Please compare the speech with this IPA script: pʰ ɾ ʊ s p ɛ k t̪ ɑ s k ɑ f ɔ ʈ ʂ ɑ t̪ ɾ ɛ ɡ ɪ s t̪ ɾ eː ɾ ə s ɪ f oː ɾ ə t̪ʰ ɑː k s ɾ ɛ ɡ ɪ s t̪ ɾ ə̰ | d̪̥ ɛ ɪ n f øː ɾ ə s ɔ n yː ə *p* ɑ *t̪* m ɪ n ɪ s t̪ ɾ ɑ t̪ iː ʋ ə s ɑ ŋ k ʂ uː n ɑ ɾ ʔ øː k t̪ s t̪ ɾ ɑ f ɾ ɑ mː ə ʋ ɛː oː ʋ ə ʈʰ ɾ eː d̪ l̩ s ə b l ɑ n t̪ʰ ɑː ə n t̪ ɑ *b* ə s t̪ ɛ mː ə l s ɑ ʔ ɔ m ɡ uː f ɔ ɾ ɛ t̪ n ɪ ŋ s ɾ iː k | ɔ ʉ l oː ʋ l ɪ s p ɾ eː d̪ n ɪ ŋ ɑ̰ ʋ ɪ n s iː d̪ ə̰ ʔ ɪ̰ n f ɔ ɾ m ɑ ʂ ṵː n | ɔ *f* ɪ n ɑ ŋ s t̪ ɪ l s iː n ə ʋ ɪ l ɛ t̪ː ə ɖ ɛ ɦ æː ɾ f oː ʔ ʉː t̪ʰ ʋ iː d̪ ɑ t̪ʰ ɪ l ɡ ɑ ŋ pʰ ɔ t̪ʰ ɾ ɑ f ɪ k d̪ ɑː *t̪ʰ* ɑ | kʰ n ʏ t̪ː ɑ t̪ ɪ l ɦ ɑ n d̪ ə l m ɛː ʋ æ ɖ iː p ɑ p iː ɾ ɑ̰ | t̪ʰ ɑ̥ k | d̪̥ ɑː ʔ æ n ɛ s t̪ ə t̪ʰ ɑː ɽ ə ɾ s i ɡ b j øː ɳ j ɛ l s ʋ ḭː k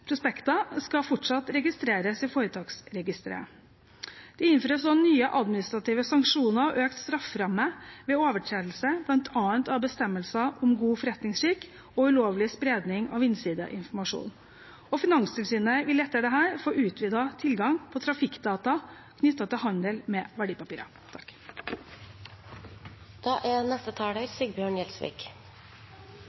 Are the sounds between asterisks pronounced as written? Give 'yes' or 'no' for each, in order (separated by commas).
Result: no, no, yes, yes, no